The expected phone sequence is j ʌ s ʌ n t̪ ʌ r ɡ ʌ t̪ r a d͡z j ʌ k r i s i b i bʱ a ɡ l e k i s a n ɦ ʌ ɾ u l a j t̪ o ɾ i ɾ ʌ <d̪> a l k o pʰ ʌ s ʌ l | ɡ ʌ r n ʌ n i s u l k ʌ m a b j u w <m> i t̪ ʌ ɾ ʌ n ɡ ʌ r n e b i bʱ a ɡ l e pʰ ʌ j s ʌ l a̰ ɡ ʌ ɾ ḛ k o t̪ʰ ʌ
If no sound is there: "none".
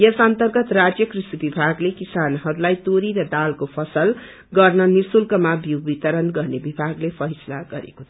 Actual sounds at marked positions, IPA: d̪, b

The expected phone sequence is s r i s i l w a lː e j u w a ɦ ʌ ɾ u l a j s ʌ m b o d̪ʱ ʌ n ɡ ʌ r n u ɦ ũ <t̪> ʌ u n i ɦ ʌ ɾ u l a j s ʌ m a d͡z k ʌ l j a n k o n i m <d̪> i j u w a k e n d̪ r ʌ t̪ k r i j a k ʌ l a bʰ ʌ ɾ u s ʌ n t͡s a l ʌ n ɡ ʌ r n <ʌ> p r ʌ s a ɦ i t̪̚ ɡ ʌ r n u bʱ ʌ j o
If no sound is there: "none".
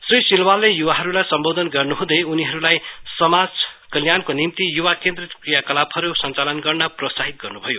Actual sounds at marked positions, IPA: d̪, t̪, ʌ

